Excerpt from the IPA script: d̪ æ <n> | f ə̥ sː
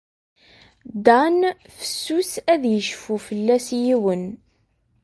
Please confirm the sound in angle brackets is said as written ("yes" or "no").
yes